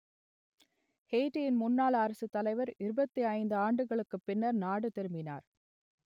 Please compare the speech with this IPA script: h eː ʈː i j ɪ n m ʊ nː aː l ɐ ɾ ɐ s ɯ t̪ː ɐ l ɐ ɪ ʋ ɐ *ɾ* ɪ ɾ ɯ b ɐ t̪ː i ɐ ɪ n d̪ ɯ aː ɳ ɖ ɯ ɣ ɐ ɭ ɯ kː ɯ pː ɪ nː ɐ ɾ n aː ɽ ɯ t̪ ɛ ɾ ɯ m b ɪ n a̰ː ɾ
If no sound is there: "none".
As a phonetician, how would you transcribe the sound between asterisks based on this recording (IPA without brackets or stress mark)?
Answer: ɾ